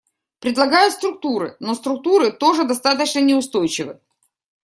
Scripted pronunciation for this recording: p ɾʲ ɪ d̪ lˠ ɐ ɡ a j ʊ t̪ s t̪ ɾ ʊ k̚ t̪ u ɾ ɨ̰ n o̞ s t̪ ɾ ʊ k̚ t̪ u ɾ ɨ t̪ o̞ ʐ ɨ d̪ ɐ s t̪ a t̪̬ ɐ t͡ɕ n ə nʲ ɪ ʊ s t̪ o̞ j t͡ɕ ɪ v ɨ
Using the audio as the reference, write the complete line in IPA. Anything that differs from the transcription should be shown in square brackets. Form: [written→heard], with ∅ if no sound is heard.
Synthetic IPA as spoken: p ɾʲ ɪ d̪ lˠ ɐ ɡ a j ʊ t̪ s t̪ ɾ ʊ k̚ t̪ u ɾ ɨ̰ n o̞ s t̪ ɾ ʊ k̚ t̪ u ɾ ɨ t̪ o̞ ʐ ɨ d̪ ɐ s t̪ a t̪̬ [ɐ→ə] t͡ɕ n ə nʲ ɪ ʊ s t̪ o̞ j t͡ɕ ɪ v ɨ